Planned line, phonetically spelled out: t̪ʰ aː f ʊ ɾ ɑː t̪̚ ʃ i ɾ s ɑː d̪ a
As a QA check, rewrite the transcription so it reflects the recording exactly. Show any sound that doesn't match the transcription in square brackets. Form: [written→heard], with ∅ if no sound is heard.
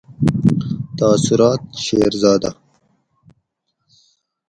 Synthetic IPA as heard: [t̪ʰ→t̪] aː [f→s] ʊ ɾ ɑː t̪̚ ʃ [i→e] ɾ [s→z] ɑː d̪ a